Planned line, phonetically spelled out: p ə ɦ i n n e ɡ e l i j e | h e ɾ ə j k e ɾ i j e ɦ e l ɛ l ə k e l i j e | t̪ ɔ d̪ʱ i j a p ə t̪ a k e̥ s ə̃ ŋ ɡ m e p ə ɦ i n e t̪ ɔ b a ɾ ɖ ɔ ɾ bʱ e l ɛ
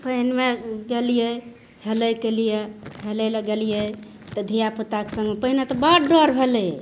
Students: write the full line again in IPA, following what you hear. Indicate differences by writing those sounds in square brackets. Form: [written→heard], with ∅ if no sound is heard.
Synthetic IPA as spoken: p ə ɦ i n [n→m] e ɡ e l i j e | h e [ɾ→l] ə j k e [ɾ→l] i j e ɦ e l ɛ l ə [k→ɡ] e l i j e | t̪ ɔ d̪ʱ i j a p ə t̪ a k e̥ s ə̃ ŋ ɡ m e p ə ɦ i n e t̪ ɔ b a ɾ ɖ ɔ ɾ bʱ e l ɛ